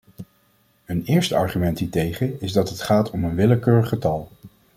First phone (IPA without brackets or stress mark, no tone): ə